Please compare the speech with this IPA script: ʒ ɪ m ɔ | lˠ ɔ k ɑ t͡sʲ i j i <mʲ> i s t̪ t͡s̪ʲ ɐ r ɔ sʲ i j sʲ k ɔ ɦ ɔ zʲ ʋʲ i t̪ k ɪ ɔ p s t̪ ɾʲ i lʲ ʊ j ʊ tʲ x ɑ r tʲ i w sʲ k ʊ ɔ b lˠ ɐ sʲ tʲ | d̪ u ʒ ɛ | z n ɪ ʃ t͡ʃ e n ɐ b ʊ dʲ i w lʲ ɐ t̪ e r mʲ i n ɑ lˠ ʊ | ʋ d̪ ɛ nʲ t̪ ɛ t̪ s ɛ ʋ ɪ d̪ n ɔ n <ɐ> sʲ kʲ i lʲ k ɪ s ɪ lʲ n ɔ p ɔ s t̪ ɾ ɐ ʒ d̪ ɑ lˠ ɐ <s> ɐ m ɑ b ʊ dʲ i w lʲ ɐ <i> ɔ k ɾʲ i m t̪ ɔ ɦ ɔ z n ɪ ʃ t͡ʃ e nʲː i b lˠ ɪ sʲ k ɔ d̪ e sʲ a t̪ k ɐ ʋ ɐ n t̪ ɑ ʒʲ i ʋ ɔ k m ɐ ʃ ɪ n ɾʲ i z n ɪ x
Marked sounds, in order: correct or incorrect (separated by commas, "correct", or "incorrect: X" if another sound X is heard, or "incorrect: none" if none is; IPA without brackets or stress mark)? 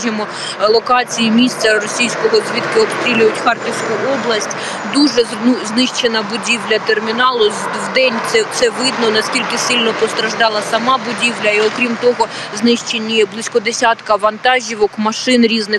correct, correct, correct, correct